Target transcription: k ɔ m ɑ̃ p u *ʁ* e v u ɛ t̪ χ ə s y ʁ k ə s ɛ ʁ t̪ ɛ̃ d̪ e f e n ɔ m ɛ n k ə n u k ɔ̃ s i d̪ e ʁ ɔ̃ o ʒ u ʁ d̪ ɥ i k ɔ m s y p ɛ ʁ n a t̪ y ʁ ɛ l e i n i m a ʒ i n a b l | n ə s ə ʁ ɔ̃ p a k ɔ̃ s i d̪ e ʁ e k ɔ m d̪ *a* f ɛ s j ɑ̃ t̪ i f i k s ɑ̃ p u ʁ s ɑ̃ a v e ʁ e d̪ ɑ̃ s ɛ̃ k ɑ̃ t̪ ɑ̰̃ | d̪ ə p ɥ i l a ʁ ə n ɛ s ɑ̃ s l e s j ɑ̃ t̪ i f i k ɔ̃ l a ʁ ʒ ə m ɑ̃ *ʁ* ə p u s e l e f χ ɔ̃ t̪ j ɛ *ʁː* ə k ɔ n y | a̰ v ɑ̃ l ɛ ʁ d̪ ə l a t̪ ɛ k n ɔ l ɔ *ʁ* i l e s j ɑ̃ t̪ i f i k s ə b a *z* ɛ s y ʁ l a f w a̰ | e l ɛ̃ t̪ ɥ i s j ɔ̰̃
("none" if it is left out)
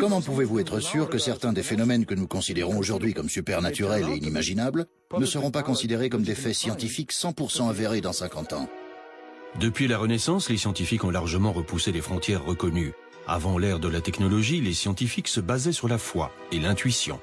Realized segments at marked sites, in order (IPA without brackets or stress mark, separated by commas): v, e, ʁ, ʁː, ʒ, z